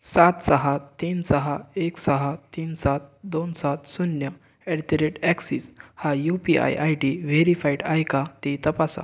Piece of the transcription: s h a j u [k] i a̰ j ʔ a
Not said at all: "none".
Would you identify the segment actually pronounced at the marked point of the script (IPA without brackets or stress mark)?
p